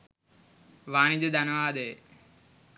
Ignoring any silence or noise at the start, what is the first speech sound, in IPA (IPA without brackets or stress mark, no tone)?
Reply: ʋ